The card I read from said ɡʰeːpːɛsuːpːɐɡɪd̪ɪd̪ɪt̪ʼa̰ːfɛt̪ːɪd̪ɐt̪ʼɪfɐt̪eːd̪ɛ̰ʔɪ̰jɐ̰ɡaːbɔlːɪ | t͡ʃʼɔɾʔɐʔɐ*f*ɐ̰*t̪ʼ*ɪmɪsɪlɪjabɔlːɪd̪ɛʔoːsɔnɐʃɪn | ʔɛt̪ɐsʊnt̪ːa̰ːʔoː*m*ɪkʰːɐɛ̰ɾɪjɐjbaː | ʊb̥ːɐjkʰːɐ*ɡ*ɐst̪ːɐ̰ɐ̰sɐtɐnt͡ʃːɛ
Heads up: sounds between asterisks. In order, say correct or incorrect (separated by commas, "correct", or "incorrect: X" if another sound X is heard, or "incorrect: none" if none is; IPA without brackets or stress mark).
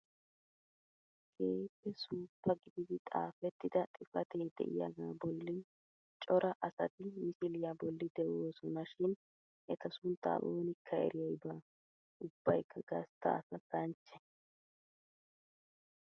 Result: incorrect: s, incorrect: t̪, incorrect: n, correct